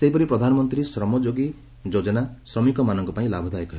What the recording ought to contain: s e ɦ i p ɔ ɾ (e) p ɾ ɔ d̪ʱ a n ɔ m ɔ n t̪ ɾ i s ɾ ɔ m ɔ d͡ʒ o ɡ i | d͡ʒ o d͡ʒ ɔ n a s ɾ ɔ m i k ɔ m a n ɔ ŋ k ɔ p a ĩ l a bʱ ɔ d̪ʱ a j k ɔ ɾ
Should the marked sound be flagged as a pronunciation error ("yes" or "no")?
yes